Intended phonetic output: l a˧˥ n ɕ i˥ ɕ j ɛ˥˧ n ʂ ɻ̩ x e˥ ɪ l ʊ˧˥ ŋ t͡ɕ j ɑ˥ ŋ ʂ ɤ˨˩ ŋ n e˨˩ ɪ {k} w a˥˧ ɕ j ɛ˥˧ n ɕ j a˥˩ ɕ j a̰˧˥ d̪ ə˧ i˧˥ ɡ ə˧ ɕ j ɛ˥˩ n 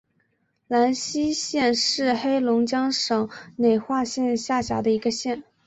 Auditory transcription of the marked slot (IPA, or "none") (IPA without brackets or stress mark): x